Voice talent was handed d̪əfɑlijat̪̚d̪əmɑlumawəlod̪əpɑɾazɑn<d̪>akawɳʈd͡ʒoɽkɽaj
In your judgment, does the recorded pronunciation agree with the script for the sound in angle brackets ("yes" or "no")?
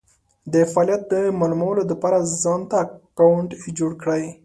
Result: no